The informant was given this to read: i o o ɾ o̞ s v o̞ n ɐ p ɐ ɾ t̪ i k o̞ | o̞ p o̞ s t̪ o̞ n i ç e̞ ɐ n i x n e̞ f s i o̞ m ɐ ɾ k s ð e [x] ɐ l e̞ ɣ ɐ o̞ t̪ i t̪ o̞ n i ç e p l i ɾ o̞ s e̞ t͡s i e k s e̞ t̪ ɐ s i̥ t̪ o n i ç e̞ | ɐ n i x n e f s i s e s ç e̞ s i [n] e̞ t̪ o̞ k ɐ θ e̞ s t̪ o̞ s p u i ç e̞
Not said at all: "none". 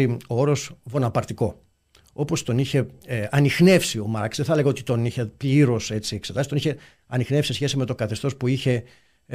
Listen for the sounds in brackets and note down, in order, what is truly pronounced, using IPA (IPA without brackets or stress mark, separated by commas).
θ, m